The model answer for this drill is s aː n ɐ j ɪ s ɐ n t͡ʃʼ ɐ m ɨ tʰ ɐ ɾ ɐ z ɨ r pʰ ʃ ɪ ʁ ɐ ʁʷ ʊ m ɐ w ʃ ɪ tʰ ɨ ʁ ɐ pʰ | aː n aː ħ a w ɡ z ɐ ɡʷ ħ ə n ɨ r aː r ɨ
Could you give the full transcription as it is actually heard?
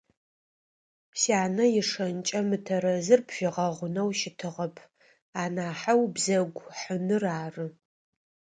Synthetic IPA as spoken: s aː n ɐ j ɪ ʂ ɐ n t͡ʃʼ ɐ m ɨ tʰ ɐ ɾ ɐ z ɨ r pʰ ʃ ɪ ʁ ɐ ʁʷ ʊ n ɐ w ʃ ɪ tʰ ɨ ʁ ɐ pʰ | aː n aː ħ a w b z ɐ ɡʷ ħ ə n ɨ r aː r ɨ